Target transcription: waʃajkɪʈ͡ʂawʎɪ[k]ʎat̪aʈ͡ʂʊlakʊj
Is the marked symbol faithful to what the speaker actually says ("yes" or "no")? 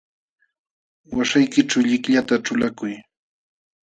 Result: yes